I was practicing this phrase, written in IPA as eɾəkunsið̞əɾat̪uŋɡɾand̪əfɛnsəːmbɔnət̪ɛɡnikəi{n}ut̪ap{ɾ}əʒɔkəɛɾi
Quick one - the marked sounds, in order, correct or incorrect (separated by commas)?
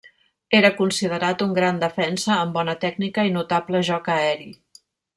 correct, incorrect